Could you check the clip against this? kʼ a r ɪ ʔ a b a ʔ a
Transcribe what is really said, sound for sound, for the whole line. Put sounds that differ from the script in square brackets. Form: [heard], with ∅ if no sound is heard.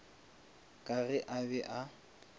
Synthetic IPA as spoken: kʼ a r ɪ ʔ a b [ɛ] ʔ a